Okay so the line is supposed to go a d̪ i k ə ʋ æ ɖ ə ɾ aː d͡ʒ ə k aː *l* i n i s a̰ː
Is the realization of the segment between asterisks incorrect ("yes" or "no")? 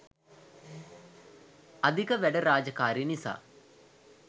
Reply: yes